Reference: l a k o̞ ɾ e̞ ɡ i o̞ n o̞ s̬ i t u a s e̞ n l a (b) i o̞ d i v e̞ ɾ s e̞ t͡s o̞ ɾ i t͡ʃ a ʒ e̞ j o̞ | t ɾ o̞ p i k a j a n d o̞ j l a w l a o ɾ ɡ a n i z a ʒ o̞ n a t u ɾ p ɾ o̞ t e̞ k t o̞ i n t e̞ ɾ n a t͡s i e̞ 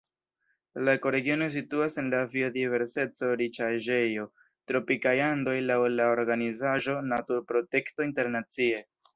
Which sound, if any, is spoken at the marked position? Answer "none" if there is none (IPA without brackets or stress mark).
v